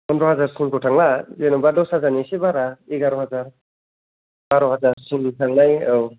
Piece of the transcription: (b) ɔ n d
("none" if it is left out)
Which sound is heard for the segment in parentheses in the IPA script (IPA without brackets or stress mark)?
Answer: p